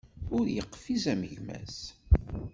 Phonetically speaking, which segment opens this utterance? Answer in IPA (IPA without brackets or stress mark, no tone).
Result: ʊ